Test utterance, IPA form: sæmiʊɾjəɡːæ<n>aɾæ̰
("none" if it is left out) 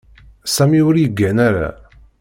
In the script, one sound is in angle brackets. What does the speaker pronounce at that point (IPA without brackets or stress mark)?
n